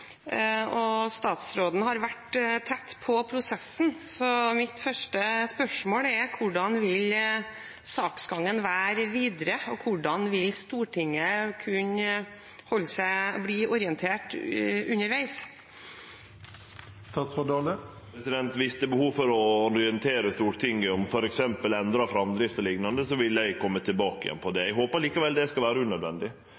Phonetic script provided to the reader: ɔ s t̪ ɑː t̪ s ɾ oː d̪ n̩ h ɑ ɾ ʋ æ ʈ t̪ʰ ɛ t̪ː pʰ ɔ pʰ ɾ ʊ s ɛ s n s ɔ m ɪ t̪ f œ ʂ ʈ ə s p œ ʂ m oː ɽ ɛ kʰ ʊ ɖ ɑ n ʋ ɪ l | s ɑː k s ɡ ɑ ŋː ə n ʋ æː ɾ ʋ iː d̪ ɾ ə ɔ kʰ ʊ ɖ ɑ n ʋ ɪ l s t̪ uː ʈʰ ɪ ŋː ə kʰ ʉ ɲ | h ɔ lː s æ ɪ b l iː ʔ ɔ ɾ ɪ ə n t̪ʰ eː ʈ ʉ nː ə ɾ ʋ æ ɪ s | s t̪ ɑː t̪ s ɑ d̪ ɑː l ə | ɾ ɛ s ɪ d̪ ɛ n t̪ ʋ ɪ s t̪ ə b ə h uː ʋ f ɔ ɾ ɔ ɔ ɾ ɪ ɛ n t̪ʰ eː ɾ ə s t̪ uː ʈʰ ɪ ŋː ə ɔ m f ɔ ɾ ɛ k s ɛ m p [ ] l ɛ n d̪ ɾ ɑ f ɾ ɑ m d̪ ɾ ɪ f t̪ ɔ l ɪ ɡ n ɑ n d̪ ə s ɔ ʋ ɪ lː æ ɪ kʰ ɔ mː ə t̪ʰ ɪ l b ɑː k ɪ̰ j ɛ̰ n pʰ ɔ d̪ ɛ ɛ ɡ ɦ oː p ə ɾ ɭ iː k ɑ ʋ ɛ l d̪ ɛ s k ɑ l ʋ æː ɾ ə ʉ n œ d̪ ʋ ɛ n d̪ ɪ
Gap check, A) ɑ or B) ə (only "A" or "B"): B